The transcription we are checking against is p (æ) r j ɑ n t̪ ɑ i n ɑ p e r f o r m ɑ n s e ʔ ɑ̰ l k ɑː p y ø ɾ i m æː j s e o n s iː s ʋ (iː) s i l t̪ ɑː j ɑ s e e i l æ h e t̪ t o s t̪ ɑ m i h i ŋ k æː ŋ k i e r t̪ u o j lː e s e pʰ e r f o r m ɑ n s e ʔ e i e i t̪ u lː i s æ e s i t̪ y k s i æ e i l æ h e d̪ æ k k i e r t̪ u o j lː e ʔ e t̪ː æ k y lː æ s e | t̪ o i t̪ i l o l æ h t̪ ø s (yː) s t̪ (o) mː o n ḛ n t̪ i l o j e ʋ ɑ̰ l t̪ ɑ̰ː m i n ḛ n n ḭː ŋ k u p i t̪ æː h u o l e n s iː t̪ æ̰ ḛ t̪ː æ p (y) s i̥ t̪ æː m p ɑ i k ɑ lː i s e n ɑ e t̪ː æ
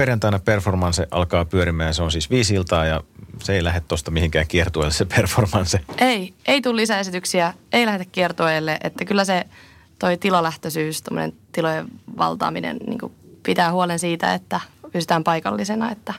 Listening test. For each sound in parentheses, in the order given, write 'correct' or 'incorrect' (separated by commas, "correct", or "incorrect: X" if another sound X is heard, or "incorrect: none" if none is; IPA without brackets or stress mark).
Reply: incorrect: e, correct, correct, correct, correct